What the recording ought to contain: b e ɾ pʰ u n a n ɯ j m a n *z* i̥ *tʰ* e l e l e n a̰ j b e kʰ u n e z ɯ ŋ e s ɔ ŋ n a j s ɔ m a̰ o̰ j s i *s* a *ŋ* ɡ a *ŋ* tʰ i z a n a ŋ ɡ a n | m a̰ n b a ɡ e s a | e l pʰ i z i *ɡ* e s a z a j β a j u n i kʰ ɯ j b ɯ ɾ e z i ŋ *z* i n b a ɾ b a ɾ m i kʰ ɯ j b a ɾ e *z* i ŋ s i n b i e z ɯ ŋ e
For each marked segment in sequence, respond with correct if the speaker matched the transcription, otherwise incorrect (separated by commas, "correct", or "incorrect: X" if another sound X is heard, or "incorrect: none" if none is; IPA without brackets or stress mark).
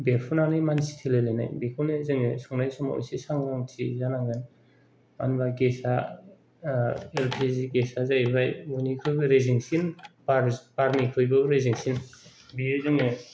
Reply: incorrect: s, correct, correct, correct, correct, correct, incorrect: s, correct